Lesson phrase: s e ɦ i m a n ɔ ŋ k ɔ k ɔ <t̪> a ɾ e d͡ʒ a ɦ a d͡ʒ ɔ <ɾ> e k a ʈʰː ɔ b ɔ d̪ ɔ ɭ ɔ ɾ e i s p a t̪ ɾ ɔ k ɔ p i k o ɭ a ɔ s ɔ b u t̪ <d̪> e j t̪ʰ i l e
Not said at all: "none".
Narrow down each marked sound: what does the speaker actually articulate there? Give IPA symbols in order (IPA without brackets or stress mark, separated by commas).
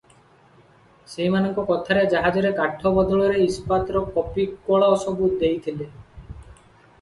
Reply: t̪ʰ, ɾ, d̪